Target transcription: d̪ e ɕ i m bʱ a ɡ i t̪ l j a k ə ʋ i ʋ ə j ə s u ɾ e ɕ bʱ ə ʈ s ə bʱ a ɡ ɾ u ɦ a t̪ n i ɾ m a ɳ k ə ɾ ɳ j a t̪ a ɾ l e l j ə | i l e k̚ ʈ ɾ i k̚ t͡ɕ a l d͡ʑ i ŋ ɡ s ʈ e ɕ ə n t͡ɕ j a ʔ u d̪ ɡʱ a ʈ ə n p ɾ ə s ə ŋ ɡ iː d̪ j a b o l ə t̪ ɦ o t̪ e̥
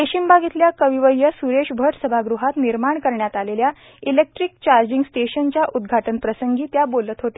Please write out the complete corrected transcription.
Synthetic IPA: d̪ e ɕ i m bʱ a ɡ i t̪ l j a k ə ʋ i ʋ ə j ə s u ɾ e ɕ bʱ ə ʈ s ə bʱ a ɡ ɾ u ɦ a t̪ n i ɾ m a ɳ k ə ɾ ɳ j a t̪ a l e l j a | i l e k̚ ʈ ɾ i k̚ t͡ɕ a ɾ d͡ʑ i ŋ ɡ s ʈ e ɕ ə n t͡ɕ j a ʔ u d̪ ɡʱ a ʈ ə n p ɾ ə s ə ŋ ɡ iː t̪ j a b o l ə t̪ ɦ o t̪ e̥